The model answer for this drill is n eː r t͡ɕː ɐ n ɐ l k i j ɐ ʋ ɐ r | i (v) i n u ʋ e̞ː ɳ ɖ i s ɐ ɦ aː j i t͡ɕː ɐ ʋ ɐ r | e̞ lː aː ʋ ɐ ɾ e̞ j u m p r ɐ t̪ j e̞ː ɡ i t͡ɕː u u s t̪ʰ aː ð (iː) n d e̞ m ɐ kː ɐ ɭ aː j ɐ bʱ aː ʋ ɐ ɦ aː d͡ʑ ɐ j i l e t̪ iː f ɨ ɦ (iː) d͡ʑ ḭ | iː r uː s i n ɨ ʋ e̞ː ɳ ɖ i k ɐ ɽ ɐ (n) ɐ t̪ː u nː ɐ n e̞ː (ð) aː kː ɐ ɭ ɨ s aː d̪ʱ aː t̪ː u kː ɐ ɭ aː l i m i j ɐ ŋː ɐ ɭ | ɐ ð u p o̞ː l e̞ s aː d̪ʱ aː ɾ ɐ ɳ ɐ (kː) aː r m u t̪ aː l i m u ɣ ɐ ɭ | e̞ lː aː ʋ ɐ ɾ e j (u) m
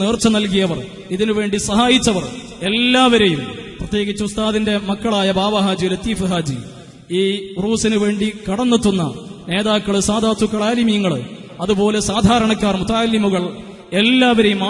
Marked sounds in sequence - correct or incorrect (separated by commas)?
incorrect, incorrect, incorrect, incorrect, correct, correct, correct